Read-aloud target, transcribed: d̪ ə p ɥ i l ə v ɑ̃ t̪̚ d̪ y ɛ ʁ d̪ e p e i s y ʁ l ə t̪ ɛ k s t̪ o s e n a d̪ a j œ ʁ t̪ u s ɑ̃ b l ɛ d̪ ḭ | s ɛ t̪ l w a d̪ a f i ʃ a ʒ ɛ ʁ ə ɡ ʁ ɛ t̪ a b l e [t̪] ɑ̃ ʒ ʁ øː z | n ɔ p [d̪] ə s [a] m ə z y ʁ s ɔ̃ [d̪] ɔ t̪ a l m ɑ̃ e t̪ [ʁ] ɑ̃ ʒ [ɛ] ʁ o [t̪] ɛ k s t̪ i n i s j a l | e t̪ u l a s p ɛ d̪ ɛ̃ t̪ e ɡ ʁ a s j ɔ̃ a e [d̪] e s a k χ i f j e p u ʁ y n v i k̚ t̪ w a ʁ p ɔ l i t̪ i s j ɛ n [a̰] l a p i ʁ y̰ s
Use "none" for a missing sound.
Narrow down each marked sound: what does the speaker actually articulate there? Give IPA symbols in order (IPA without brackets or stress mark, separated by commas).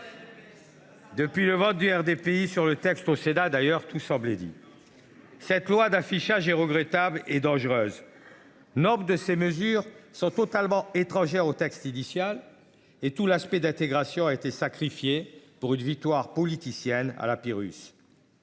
d̪, d̪, e, t̪, χ, ɛ, t̪, t̪, a̰